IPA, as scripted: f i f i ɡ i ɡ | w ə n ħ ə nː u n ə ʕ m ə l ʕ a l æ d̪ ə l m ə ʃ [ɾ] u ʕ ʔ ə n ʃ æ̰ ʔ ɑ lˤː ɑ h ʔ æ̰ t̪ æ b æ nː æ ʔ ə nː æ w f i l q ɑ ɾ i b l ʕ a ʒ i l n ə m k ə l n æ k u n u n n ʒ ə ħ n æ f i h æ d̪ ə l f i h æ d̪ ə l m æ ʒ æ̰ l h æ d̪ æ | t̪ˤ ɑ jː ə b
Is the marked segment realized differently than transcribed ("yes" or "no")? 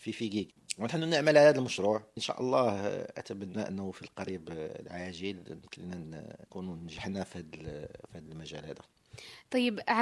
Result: no